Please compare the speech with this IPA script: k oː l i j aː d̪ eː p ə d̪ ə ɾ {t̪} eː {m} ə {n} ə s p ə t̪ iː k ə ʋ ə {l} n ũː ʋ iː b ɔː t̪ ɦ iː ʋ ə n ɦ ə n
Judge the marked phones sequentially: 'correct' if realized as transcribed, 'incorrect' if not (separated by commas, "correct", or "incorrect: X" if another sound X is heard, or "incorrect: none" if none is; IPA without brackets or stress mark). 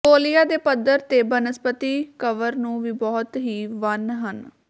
correct, incorrect: b, correct, incorrect: ɾ